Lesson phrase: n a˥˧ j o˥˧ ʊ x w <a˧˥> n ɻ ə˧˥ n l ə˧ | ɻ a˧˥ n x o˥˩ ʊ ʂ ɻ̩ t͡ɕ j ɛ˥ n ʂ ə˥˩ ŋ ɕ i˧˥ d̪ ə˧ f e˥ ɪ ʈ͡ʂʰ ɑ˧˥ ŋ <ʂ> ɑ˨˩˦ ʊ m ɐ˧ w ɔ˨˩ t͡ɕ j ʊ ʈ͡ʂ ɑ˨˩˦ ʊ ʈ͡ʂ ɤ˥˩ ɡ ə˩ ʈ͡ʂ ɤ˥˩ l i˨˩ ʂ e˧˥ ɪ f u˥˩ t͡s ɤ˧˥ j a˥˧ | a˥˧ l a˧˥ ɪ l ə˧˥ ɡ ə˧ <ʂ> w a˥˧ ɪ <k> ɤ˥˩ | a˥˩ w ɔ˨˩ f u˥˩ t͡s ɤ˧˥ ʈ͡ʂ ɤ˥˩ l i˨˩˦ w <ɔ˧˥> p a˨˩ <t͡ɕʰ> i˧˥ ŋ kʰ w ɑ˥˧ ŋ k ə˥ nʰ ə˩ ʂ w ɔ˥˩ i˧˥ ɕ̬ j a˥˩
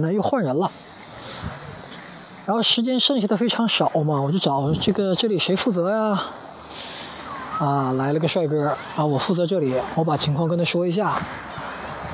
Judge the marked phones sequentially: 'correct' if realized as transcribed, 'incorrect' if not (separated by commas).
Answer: incorrect, correct, correct, correct, correct, correct